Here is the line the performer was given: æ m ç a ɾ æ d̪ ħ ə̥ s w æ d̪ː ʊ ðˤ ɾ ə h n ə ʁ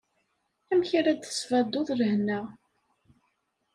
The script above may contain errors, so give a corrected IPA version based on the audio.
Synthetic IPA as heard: æ m ç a ɾ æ d̪ θ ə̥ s v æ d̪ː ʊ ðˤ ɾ ə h n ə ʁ

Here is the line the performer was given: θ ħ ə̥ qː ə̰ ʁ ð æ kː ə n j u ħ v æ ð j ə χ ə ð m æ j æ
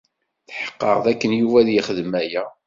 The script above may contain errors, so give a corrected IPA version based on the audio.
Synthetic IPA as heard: θ ħ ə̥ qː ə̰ ʁ ð æ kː ə n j u v æ ð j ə χ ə ð m æ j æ

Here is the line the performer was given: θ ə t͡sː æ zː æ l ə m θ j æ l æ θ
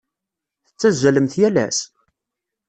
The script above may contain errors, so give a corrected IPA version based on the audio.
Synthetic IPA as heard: θ ə t͡sː æ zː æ l ə m θ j æ l æ s

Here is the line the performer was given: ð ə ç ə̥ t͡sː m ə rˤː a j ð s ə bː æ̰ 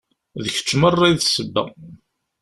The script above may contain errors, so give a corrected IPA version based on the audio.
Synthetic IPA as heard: ð ə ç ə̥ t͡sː m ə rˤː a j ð s ə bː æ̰

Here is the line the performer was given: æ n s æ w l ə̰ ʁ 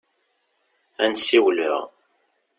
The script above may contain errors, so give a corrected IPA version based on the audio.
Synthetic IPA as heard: æ n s i w l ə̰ ʁ

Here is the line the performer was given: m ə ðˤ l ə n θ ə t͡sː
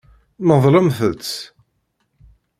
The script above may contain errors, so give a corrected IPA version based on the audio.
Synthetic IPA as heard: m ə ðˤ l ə m θ ə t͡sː

